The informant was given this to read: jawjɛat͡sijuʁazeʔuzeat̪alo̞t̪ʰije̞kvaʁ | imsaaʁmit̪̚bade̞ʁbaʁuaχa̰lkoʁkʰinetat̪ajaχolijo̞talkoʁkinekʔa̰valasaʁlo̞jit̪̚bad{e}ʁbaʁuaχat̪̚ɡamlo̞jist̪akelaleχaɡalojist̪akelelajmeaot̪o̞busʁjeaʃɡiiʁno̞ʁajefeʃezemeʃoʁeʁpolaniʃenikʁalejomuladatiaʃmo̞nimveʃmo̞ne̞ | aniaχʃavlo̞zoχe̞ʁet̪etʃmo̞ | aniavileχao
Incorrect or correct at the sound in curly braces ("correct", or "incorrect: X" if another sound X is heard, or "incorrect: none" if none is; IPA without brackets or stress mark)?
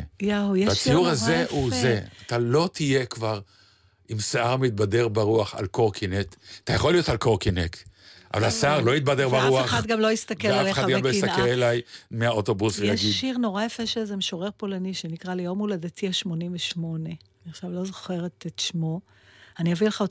correct